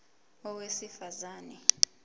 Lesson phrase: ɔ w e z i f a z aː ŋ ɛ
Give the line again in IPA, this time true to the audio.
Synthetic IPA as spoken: ɔ w e s i f a z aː n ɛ